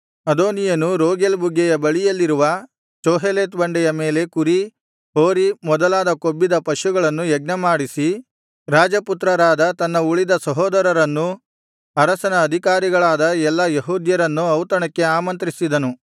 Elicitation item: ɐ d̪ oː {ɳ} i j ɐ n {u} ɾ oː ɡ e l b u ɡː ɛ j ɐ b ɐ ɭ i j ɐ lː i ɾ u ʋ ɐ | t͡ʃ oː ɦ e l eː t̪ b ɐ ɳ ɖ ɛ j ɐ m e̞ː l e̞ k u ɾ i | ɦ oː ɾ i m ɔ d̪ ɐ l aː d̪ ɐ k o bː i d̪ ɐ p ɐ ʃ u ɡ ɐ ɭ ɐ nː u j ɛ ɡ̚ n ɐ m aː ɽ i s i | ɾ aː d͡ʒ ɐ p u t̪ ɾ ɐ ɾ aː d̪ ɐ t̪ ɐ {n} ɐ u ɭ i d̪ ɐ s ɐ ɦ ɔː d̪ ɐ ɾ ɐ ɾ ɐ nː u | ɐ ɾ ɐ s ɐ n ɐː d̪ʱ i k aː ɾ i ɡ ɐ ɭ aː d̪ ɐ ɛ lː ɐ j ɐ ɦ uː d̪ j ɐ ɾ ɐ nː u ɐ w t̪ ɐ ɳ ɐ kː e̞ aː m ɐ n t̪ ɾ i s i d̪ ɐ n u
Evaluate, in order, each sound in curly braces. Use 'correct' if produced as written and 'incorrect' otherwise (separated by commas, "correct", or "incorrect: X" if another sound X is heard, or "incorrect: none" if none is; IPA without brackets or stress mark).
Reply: incorrect: n, correct, incorrect: nː